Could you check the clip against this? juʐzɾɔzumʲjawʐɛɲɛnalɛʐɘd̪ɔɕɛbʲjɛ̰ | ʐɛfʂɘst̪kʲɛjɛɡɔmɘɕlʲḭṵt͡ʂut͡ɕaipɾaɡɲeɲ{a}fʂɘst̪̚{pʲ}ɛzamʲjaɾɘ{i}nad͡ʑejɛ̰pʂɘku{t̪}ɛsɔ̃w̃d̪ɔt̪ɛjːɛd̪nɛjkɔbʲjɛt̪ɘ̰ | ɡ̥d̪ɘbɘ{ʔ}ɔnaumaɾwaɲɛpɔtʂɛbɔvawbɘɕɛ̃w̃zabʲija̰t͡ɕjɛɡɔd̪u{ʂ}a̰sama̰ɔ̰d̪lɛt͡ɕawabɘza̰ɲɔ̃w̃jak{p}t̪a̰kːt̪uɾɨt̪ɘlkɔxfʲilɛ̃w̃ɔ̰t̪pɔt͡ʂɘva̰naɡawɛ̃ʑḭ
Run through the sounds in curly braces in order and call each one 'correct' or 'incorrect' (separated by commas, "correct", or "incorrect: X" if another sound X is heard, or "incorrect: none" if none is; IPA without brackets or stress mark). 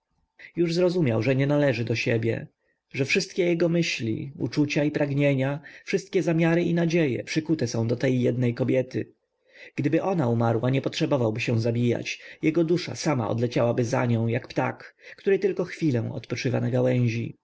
correct, incorrect: kʲ, correct, correct, correct, correct, correct